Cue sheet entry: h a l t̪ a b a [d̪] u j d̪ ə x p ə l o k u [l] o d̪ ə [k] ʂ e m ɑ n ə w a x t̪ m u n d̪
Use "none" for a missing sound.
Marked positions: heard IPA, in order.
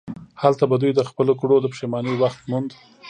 d̪, ɽ, p

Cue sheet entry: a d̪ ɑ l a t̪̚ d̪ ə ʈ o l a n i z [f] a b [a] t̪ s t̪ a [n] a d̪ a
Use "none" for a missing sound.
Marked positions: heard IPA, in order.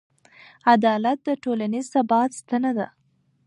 s, ɑ, n

